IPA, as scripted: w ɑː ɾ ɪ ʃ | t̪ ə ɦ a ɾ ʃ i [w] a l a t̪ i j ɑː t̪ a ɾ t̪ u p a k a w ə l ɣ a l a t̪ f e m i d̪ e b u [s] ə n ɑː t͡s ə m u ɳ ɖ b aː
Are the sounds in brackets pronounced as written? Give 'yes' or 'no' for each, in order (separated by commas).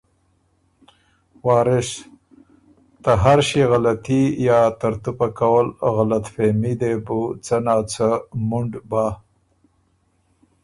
no, no